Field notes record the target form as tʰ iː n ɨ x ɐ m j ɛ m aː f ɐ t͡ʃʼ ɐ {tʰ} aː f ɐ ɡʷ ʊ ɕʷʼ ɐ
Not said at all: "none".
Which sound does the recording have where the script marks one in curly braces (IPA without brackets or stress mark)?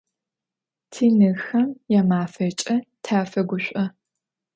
tʰ